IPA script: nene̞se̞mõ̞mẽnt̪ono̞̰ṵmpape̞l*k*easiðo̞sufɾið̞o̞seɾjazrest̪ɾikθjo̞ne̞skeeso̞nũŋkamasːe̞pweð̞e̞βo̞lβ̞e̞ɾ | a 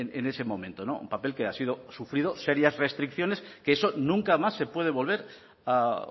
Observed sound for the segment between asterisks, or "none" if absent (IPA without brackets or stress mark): k